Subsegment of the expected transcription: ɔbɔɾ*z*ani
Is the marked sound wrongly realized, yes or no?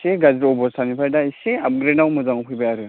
yes